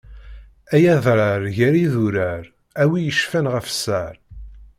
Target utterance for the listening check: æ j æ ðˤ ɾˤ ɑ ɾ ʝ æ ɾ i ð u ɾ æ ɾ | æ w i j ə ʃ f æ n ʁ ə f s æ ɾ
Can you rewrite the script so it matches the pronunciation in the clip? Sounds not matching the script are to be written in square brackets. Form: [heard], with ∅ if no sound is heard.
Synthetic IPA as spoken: æ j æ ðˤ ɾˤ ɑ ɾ ʝ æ ɾ i ð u ɾ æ ɾ | æ w i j ə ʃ f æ n ʁ ə f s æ ɾ